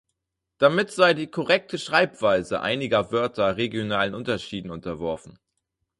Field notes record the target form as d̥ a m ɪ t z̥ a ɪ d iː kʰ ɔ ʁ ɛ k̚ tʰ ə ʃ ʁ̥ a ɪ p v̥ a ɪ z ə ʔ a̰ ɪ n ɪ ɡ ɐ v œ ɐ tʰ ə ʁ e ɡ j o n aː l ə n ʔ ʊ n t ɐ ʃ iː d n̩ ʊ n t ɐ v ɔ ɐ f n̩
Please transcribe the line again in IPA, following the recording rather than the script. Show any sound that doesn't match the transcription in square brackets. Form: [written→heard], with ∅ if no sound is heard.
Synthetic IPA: d̥ a m ɪ t z̥ a ɪ d iː kʰ ɔ ʁ ɛ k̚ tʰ ə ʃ ʁ̥ a ɪ p v̥ a ɪ z ə ʔ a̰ ɪ n ɪ ɡ ɐ v œ ɐ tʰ [ə→ɐ] ʁ e ɡ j o n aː l ə n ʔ ʊ n t ɐ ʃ iː d n̩ ʊ n t ɐ v ɔ ɐ f n̩